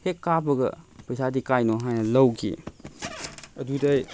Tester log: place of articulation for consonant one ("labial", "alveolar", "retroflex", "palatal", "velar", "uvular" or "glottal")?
glottal